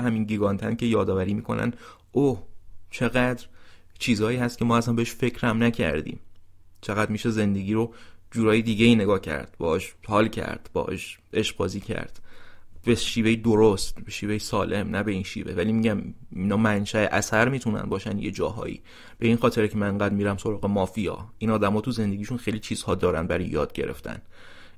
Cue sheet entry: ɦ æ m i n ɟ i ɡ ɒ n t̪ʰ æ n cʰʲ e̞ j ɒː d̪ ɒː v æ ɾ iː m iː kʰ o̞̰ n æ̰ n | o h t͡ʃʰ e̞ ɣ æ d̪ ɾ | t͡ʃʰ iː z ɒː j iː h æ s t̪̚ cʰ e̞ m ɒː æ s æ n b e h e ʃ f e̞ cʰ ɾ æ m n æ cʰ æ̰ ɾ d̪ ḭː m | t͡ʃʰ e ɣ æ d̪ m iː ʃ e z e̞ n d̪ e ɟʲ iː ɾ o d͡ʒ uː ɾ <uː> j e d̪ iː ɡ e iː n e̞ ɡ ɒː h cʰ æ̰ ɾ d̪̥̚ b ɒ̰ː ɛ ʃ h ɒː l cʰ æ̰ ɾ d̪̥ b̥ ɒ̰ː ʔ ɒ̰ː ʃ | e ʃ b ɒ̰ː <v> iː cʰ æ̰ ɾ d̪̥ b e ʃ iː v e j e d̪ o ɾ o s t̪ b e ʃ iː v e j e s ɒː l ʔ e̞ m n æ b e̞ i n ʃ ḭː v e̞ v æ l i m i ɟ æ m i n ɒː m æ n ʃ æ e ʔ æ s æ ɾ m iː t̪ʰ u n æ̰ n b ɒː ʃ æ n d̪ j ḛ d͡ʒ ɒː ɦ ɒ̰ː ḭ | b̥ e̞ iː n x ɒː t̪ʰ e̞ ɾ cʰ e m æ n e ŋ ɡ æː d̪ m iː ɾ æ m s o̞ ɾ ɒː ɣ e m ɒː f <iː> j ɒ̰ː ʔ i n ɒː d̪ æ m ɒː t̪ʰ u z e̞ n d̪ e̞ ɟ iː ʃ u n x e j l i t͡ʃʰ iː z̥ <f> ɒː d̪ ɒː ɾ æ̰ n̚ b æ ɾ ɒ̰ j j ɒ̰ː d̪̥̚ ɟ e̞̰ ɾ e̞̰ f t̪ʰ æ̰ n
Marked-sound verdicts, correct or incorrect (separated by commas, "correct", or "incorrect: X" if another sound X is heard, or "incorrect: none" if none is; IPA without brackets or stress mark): incorrect: ɒː, incorrect: z, incorrect: i, incorrect: h